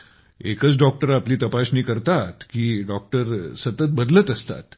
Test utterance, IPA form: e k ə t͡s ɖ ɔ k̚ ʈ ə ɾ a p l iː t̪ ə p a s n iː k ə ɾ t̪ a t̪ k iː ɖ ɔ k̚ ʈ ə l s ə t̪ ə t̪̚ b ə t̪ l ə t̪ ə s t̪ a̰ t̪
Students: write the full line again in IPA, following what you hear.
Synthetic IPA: e k ə t͡s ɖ ɔ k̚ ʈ ə ɾ a p l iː t̪ ə p a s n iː k ə ɾ t̪ a t̪ k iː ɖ ɔ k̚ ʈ ə ɾ s ə t̪ ə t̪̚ b ə d̪ l ə t̪ ə s t̪ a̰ t̪

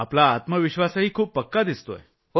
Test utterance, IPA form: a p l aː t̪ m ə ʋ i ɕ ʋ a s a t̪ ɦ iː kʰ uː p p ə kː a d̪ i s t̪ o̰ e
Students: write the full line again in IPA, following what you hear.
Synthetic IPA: a p l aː t̪ m ə ʋ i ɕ ʋ a s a ɦ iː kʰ uː p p ə kː a d̪ i s t̪ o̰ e

